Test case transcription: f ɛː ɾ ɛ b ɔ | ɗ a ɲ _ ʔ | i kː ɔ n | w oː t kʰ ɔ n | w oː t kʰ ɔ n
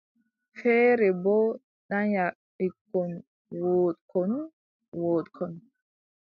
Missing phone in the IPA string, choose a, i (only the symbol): a